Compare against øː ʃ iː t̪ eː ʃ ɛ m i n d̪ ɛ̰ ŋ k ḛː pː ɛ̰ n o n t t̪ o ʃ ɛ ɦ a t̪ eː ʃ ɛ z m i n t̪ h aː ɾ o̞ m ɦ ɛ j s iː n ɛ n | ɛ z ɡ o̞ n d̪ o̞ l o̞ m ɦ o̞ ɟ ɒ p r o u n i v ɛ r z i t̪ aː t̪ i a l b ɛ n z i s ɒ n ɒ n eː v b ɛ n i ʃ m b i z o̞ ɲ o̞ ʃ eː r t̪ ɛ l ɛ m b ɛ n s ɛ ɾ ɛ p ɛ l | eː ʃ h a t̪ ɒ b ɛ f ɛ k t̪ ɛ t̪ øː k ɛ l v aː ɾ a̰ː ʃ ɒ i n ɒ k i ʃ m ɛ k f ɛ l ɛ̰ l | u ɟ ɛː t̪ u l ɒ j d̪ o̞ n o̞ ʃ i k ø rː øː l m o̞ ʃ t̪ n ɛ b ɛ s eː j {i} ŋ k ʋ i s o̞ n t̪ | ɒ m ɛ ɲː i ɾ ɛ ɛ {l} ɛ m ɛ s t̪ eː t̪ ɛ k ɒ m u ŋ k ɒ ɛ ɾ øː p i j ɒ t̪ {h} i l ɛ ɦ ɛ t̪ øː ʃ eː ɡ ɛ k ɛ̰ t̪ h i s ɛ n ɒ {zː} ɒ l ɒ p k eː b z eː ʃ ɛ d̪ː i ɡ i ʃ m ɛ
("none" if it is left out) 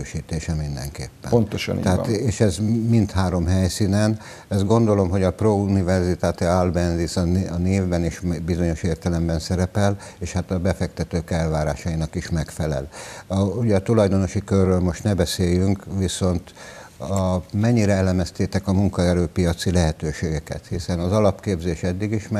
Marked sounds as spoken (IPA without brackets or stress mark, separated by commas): y, l, s, z